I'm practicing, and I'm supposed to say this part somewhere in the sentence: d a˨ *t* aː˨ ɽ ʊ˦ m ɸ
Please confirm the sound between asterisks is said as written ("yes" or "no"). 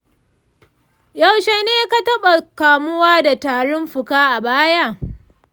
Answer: yes